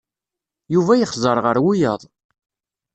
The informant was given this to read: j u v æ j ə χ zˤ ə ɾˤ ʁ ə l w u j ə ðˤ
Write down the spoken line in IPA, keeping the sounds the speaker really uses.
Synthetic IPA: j u v æ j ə χ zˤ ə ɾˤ ʁ ə ɾ w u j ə ðˤ